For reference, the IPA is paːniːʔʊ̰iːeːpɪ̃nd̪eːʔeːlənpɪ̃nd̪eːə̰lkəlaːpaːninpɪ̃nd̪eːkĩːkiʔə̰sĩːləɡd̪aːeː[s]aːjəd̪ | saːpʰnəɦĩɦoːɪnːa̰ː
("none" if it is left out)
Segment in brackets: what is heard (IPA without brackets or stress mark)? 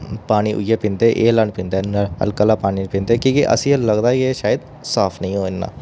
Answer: ʃ